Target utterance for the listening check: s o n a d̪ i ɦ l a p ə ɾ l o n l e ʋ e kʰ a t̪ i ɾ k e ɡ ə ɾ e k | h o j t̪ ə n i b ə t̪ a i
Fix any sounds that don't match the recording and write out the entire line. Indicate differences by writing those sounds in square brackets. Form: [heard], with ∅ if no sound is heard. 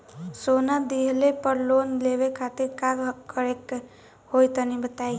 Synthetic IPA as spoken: s o n a d̪ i ɦ l [e] p ə ɾ l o n l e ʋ e kʰ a t̪ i ɾ k [a] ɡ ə ɾ e k | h o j t̪ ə n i b ə t̪ a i